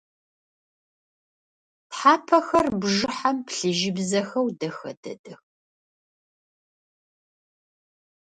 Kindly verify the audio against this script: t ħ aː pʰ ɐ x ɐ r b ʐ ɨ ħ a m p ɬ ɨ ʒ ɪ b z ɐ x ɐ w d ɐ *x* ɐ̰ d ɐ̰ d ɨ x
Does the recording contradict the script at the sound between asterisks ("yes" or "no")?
no